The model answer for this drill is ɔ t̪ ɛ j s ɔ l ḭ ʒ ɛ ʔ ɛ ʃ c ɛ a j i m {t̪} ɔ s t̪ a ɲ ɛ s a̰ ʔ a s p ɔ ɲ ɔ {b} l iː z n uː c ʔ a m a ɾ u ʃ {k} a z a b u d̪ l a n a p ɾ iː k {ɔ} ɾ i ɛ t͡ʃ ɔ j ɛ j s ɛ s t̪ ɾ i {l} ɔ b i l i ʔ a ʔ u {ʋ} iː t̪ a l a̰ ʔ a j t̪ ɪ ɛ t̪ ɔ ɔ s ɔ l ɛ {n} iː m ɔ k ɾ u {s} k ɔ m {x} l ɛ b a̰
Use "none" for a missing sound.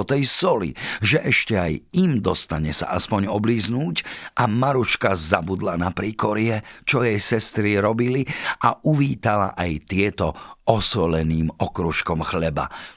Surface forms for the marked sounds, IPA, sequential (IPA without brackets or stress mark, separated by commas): d̪, b, k, ɔ, ɾ, ʋ, n, ʃ, x